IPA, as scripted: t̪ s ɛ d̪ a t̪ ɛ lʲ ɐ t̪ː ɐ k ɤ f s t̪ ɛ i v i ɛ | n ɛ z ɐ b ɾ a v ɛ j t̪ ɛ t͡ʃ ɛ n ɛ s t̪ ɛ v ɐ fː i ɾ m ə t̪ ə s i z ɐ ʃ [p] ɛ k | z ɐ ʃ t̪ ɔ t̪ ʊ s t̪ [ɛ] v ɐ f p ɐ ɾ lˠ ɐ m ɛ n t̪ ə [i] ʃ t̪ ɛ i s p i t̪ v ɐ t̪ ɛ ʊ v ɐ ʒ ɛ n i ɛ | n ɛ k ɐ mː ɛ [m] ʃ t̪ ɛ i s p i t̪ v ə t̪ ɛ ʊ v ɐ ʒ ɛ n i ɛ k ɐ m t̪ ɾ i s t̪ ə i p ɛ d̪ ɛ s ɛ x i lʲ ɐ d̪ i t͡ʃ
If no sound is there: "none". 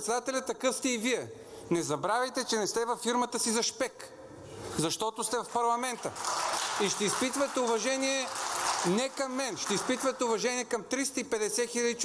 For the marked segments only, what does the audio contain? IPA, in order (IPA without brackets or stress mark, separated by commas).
p, ɛ, i, n